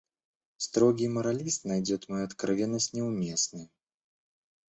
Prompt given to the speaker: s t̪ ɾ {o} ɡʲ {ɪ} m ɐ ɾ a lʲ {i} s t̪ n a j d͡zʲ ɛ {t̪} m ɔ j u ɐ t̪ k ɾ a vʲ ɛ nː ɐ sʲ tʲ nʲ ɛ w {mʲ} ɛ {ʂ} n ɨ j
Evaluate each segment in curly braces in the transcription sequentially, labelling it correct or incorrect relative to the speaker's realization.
incorrect: ɔ, incorrect: i, correct, correct, correct, incorrect: s

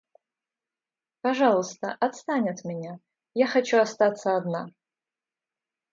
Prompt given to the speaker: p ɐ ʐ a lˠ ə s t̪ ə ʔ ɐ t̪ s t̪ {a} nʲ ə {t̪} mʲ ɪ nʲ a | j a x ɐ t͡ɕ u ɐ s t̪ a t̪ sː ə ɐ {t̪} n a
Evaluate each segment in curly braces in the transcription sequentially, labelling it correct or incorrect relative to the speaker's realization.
correct, correct, incorrect: d̪

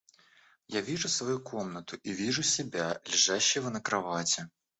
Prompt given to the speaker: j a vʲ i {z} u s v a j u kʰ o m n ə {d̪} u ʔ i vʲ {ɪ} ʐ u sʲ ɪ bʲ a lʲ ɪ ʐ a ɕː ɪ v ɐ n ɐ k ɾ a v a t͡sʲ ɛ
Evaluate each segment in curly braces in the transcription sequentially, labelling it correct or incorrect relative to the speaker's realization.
incorrect: ʐ, incorrect: t̪, incorrect: i

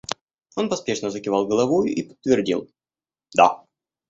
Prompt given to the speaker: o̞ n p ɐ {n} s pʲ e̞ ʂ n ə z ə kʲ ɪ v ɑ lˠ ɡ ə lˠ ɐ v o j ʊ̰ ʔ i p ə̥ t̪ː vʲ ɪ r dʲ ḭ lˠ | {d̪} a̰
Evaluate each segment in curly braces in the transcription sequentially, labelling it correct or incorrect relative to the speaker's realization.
incorrect: none, correct

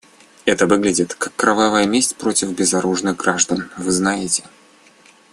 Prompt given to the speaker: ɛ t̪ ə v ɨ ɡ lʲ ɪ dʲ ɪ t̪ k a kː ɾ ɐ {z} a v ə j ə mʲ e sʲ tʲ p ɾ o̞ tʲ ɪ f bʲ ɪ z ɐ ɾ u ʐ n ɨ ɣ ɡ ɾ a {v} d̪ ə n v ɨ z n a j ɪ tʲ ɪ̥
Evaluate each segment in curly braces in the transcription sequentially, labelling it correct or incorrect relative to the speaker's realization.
incorrect: v, incorrect: ʐ

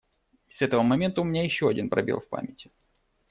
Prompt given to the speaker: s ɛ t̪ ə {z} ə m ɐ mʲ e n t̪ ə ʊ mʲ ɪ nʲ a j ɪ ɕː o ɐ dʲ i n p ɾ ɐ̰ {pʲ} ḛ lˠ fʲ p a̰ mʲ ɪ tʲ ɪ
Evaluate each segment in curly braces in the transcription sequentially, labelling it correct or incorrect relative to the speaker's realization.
incorrect: v, incorrect: bʲ

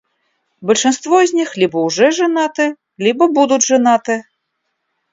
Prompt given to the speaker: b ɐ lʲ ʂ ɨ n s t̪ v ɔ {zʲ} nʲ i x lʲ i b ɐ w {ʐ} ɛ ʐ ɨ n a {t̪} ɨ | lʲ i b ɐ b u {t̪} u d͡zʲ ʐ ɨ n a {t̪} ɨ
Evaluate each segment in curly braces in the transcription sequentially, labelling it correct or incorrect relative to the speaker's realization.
correct, correct, correct, incorrect: d̪, correct

